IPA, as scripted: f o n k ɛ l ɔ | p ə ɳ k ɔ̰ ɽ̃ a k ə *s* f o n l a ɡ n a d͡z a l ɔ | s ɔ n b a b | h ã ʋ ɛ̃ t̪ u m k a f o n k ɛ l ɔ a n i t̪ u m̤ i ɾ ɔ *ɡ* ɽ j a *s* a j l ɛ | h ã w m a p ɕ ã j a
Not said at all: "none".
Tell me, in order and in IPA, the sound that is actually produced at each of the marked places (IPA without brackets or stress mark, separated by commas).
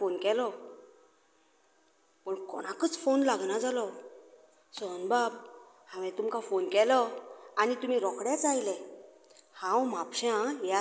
t͡s, k, t͡s